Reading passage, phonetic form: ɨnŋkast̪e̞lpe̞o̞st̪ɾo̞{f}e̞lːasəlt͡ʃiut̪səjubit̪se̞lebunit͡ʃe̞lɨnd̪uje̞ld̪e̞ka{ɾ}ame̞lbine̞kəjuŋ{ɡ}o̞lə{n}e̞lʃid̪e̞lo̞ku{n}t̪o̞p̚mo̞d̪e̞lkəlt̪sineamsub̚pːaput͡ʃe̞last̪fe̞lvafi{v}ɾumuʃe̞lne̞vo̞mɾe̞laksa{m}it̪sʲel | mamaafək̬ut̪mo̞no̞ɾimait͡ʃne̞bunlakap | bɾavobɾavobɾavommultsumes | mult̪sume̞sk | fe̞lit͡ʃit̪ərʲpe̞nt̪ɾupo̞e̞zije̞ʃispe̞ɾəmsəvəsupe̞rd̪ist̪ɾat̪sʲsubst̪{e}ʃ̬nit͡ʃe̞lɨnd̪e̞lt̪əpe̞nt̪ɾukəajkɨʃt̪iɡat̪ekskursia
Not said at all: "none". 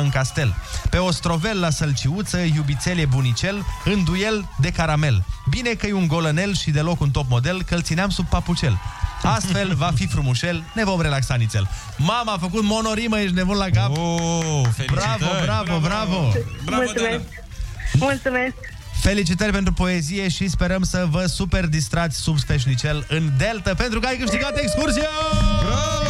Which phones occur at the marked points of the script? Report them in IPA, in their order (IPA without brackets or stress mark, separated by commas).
v, ɾ, ɡ, n, n, f, n, e